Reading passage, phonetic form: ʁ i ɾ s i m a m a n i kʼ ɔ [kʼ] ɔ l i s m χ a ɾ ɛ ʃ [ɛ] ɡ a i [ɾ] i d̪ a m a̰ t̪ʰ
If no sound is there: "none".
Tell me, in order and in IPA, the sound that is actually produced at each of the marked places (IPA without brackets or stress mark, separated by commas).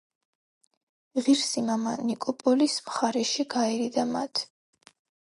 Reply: pʼ, i, ɾ